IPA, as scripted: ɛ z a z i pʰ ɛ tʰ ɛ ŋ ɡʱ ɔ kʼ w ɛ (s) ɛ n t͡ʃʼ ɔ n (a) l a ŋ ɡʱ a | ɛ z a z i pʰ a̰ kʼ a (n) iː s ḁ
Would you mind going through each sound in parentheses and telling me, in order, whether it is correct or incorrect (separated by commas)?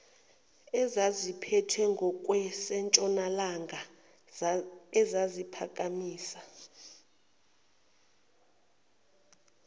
correct, correct, incorrect